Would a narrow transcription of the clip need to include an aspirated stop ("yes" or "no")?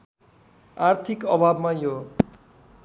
yes